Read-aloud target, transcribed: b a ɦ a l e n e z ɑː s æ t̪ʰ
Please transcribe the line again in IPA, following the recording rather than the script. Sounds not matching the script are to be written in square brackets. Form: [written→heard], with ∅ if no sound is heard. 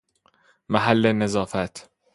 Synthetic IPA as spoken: [b→m] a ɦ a [l→lː] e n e z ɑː [s→f] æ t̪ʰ